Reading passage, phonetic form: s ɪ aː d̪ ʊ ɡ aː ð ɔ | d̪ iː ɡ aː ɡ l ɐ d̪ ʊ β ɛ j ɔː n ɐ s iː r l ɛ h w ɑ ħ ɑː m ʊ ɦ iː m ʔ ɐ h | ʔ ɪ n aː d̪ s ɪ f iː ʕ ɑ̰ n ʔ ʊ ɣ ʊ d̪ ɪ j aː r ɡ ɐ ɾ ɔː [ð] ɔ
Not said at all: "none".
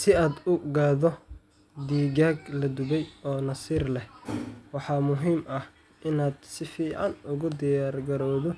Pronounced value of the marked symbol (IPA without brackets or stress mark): ð